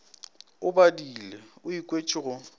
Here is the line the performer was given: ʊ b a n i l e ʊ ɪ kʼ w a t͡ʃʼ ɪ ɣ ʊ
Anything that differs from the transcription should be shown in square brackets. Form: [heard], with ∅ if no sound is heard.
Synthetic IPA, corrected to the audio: ʊ b a [d] i l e ʊ [i] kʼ w [e] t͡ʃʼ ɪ ɣ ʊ